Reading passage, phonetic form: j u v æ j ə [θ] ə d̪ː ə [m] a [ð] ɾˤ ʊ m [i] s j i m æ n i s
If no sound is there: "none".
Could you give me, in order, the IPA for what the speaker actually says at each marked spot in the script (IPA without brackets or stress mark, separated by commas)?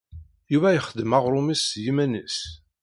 χ, m, ʁ, i